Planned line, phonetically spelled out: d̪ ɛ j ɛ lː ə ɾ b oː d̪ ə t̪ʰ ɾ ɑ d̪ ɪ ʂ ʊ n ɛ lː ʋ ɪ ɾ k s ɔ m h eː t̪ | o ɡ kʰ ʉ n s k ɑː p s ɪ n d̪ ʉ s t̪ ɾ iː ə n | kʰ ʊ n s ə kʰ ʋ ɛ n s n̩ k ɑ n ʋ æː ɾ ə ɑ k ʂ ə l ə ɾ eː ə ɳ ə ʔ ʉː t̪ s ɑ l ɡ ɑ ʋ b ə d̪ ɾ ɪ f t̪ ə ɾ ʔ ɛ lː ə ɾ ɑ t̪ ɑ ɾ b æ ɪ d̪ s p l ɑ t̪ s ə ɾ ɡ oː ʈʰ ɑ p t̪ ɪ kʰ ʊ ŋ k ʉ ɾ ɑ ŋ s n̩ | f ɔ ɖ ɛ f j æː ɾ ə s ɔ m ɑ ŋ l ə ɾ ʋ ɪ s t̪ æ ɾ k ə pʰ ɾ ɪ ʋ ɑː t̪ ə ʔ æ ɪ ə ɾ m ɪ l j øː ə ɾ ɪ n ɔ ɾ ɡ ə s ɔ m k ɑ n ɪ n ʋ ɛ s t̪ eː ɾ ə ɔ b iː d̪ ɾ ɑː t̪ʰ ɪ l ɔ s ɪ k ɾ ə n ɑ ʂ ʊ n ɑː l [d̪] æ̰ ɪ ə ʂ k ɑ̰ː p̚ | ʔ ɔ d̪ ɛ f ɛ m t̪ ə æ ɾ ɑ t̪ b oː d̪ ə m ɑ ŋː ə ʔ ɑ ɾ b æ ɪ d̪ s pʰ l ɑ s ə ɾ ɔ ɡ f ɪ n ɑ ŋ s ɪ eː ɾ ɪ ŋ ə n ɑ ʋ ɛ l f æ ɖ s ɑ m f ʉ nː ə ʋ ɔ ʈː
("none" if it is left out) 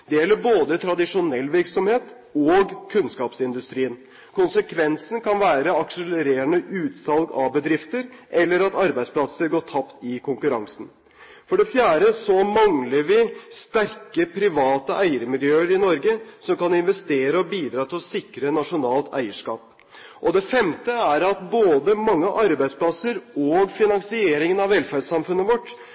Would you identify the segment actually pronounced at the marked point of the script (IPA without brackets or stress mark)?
t̪